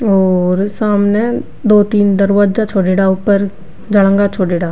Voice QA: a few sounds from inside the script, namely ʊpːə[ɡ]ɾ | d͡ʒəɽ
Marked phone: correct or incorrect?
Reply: incorrect